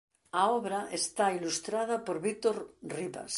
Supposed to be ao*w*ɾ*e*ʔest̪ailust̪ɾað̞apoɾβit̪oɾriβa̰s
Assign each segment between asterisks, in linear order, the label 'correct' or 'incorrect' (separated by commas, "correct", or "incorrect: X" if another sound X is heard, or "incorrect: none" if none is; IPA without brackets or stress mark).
incorrect: β, incorrect: a